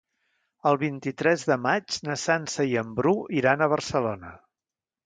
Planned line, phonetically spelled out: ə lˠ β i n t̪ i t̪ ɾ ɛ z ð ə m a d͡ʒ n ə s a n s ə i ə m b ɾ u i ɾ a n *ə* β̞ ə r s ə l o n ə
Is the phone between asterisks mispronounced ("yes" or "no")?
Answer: no